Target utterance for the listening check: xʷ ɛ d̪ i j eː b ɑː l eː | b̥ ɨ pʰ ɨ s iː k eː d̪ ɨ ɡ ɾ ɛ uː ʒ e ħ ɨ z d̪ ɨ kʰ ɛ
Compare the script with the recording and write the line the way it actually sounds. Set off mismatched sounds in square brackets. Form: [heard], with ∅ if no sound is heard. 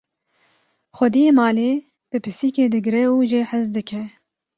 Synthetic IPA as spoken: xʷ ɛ d̪ i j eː [m] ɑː l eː | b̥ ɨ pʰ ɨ s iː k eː d̪ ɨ ɡ ɾ ɛ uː ʒ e ħ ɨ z d̪ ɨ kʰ ɛ